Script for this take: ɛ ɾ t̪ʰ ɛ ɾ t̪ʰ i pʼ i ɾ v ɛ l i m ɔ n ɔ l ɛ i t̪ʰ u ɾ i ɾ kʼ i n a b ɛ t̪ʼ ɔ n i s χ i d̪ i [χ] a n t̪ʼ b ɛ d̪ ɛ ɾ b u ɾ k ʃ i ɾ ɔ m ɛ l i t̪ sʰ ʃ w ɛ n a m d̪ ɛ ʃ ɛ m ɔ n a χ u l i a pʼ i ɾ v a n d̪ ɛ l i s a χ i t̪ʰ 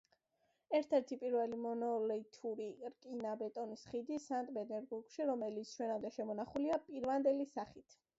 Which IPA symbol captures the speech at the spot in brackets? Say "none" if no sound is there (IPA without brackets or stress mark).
s